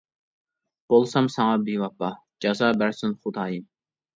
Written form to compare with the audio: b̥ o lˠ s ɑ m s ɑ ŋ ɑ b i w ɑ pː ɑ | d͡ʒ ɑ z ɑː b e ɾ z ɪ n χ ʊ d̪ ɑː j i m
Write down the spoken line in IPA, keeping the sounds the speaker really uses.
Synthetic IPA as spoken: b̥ o lˠ s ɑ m s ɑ ŋ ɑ b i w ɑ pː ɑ | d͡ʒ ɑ z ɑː b æ ɾ s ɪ n χ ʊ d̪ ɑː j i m